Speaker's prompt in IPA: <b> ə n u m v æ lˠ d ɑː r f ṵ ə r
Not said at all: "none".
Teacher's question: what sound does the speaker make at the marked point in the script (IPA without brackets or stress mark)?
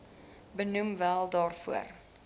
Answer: b